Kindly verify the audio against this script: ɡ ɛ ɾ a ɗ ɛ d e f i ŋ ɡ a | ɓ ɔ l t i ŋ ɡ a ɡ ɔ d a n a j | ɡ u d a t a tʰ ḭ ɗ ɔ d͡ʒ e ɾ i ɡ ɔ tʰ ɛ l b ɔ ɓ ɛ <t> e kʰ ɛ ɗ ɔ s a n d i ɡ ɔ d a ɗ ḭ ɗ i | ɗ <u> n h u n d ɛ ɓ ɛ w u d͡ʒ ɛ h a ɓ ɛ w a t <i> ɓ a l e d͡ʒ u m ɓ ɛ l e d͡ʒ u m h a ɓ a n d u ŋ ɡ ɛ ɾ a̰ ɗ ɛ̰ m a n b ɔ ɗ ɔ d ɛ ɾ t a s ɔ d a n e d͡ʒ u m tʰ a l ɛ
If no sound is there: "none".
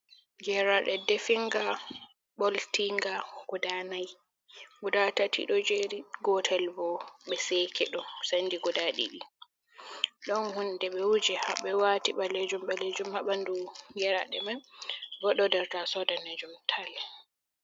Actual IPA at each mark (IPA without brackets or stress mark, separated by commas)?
s, ɔ, i